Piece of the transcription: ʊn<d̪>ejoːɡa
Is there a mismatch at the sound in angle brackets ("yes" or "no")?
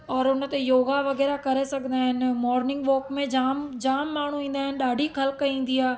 yes